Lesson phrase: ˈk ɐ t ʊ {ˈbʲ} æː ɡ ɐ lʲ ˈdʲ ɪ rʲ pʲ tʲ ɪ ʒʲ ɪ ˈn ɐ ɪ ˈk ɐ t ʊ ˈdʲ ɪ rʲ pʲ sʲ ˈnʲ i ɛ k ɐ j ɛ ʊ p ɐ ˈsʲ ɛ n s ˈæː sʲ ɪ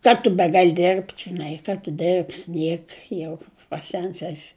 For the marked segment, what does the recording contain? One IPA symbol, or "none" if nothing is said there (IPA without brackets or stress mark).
bʲ